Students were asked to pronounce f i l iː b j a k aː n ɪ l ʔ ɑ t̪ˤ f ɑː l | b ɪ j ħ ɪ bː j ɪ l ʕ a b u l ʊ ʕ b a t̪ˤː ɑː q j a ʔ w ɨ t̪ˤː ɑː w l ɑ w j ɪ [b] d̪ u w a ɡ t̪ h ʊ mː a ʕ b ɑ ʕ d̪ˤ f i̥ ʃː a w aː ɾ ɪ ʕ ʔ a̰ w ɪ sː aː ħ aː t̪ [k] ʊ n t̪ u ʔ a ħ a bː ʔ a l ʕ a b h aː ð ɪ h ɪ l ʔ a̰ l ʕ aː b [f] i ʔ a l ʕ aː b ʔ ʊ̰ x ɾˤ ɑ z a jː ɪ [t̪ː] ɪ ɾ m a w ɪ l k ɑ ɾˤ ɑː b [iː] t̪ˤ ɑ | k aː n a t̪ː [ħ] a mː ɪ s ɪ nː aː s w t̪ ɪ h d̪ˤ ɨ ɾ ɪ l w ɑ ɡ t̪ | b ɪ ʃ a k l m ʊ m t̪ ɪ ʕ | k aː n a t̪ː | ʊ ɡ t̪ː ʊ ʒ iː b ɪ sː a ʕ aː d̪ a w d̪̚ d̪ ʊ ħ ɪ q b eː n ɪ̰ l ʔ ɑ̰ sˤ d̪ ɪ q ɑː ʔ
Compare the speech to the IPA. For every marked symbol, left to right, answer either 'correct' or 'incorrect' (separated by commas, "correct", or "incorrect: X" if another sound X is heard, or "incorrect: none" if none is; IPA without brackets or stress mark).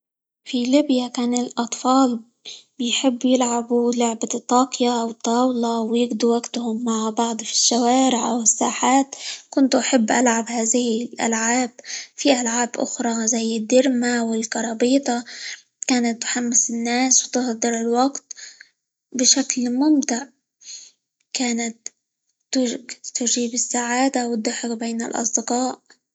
incorrect: ɡ, correct, correct, incorrect: d̪ː, correct, correct